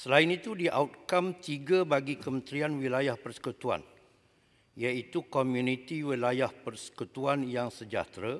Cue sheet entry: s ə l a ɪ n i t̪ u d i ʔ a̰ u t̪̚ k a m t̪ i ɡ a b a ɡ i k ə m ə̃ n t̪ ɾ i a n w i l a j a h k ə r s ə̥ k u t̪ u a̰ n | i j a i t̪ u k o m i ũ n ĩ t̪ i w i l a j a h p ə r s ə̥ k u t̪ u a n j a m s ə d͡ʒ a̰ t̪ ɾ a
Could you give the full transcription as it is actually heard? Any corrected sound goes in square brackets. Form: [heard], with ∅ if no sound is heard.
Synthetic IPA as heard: s ə l a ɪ n i t̪ u d i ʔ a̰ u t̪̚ k a m t̪ i ɡ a b a ɡ i k ə m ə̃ n t̪ ɾ i a n w i l a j a h [p] ə r s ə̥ k u t̪ u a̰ n | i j a i t̪ u k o m [j] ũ n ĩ t̪ i w i l a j a h p ə r s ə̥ k u t̪ u a n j a [ŋ] s ə d͡ʒ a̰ t̪ ɾ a